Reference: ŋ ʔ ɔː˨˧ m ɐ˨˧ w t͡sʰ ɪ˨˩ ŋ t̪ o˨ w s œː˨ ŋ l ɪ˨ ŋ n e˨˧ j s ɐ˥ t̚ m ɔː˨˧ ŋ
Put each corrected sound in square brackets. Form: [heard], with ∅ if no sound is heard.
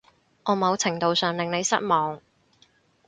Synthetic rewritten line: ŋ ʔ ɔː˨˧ m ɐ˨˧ w t͡sʰ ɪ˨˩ ŋ t̪ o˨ w s œː˨ ŋ l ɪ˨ ŋ n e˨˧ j s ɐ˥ t̚ m ɔː˨˧ ŋ